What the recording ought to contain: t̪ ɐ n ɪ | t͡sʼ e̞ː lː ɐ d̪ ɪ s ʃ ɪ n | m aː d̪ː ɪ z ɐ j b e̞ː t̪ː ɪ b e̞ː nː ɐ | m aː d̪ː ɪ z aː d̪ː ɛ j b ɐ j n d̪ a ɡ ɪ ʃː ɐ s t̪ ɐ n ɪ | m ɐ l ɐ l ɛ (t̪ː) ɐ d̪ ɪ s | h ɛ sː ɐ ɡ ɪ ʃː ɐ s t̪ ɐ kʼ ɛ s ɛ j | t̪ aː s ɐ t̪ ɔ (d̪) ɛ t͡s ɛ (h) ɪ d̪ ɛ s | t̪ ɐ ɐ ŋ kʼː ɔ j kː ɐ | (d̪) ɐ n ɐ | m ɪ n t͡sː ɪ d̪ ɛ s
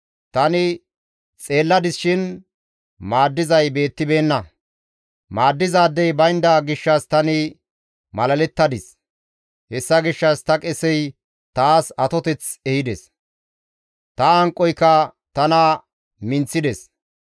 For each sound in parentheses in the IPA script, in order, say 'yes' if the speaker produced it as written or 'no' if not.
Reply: yes, no, yes, no

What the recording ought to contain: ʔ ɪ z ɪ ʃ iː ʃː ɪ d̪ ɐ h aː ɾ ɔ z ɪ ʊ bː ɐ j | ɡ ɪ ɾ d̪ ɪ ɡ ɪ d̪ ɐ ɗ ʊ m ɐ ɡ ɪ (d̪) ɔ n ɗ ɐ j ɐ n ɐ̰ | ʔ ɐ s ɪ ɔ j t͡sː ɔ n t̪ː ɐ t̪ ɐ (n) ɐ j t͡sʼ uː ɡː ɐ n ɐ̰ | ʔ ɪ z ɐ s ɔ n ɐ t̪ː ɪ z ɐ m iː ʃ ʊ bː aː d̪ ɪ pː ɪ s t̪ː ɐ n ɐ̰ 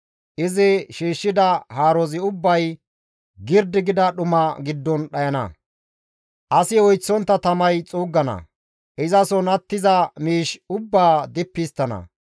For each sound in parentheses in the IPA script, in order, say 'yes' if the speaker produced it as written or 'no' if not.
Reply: no, no

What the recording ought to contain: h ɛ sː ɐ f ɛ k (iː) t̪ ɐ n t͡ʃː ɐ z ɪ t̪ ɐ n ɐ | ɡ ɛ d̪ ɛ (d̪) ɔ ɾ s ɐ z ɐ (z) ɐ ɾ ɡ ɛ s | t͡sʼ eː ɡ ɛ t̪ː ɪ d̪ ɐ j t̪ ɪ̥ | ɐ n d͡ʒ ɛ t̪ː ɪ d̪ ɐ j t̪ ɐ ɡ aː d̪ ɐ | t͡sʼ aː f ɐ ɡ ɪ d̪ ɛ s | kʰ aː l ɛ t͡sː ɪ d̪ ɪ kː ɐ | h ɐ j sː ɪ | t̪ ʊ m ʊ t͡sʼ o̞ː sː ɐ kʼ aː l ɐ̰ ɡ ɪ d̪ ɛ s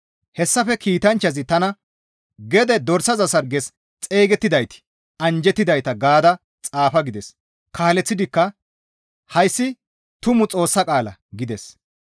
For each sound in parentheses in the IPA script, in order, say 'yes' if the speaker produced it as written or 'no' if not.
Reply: yes, yes, no

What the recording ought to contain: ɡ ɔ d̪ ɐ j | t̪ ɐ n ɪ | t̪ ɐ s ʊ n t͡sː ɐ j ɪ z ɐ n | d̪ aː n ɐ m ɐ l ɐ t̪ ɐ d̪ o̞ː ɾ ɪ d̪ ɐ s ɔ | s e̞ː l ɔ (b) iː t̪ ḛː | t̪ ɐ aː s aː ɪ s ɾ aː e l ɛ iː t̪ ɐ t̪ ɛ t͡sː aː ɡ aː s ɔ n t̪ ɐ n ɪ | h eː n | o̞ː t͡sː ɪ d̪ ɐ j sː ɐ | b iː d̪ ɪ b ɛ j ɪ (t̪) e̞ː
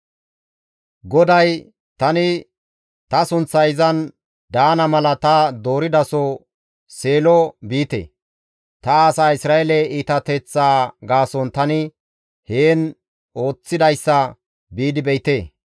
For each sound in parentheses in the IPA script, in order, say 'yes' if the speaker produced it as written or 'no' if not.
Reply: yes, yes

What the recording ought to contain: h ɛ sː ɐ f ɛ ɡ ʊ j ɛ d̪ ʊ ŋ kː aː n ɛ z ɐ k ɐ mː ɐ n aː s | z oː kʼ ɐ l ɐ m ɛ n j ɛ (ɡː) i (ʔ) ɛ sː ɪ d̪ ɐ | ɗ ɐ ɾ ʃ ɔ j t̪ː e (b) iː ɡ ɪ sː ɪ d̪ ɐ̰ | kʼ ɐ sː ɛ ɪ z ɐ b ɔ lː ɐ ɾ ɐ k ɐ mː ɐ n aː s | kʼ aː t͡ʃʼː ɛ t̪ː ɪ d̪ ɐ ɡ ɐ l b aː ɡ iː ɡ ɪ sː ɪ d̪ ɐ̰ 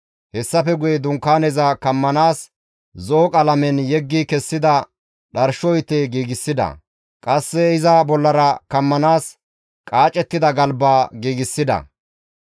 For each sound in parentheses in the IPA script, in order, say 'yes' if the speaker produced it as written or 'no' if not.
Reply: yes, no, no

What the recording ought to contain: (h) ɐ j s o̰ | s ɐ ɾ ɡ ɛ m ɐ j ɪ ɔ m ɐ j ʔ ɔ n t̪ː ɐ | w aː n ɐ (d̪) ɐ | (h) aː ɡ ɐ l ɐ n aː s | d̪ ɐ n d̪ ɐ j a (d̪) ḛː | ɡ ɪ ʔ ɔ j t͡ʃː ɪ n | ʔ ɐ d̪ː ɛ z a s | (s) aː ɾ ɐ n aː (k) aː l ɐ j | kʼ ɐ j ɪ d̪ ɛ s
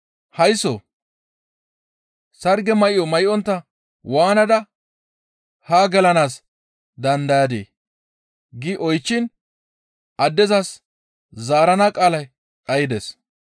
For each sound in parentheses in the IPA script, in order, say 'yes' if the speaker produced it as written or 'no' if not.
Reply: yes, yes, yes, yes, no, no

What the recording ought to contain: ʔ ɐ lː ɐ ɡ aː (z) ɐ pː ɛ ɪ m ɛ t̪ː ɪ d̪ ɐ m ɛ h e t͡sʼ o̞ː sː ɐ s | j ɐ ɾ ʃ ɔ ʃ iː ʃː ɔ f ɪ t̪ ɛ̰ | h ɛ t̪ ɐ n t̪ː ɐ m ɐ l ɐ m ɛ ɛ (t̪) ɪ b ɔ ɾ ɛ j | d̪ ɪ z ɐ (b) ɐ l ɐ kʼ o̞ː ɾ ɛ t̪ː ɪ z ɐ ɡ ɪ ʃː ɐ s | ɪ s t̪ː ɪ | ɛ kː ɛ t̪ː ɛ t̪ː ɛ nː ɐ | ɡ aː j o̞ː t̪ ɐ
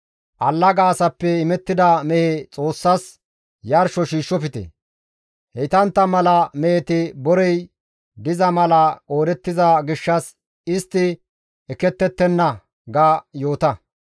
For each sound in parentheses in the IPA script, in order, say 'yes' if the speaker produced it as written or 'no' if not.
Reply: no, yes, no

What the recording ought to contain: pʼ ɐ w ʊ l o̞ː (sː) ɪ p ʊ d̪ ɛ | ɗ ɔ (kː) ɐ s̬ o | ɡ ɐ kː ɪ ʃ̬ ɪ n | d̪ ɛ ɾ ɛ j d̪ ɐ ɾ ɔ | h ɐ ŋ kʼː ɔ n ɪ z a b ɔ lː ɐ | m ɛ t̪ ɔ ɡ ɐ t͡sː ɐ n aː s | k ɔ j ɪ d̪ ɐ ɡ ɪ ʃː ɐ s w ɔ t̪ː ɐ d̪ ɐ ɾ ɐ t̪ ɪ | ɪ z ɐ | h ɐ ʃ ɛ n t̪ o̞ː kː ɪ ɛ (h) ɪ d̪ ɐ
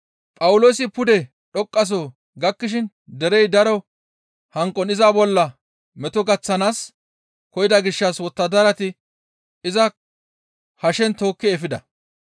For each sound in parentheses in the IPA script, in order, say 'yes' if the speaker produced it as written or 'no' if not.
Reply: no, no, no

